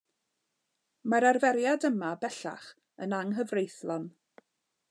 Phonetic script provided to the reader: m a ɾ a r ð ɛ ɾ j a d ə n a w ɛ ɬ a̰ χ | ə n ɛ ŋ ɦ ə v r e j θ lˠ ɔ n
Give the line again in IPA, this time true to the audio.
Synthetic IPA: m a ɾ a r v ɛ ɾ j a d ə m a b ɛ ɬ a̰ χ | ə n a ŋ ɦ ə v r e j θ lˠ ɔ n